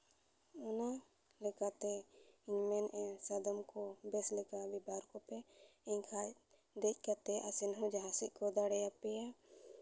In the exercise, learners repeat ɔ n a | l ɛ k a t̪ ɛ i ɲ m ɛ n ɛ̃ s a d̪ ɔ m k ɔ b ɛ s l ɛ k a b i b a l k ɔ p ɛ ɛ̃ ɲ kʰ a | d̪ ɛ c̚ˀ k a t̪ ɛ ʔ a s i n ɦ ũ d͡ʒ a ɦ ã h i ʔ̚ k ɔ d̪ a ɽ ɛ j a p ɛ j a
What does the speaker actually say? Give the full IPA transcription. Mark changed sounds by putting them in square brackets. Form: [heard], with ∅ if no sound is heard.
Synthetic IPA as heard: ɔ n a | l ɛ k a t̪ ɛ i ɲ m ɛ n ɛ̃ s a d̪ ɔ m k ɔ b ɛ s l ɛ k a b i b a [ɾ] k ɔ p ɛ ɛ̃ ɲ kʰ a | d̪ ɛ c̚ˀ k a t̪ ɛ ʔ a s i n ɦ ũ d͡ʒ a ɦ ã [s] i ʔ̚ k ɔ d̪ a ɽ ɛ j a p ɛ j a